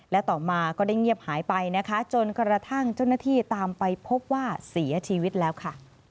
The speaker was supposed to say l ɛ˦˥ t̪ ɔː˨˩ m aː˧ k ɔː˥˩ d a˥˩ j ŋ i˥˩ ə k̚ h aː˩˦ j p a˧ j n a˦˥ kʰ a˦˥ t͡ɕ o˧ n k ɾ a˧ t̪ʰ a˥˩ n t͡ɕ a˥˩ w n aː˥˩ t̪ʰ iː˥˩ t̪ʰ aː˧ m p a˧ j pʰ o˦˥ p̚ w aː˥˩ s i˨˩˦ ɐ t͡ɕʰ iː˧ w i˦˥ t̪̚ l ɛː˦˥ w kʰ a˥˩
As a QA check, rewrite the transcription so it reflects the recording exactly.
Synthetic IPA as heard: l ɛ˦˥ t̪ ɔː˨˩ m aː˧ k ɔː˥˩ d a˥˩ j ŋ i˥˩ ə p̚ h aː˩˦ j p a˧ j n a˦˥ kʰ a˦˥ t͡ɕ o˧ n k ɾ a˧ t̪ʰ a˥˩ ŋ t͡ɕ a˥˩ w n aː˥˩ t̪ʰ iː˥˩ t̪ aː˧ m p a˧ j pʰ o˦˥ p̚ w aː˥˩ s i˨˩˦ ɐ t͡ɕʰ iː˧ w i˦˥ t̪̚ l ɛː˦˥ w kʰ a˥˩